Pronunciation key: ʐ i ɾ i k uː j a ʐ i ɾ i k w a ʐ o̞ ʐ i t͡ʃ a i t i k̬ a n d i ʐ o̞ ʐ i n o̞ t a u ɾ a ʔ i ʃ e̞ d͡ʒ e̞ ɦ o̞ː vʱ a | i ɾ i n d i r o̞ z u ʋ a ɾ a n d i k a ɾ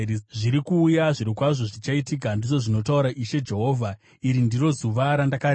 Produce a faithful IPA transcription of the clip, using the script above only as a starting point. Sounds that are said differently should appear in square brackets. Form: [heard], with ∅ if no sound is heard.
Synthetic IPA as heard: ʐ i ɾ i k uː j a ʐ i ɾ i k w a ʐ o̞ ʐ i t͡ʃ a i t i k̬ a n d i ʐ o̞ ʐ i n o̞ t a u ɾ a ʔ i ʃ e̞ d͡ʒ e̞ ɦ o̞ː vʱ a | i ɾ i n d i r o̞ z u ʋ a ɾ a n d [a] k a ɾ